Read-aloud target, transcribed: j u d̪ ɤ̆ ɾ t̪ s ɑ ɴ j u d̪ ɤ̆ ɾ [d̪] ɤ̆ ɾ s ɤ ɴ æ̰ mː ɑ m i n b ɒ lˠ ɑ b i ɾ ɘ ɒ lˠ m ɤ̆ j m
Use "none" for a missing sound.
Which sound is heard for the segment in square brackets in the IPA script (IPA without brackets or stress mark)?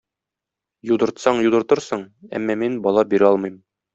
t̪